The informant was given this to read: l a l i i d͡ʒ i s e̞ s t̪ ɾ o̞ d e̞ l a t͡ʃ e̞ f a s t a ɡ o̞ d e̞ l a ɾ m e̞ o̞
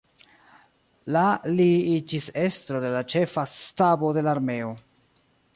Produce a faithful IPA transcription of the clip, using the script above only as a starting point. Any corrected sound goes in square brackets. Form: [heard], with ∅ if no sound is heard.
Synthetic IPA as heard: l a l i i d͡ʒ i s e̞ s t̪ ɾ o̞ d e̞ l a t͡ʃ e̞ f a s t a [b] o̞ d e̞ l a ɾ m e̞ o̞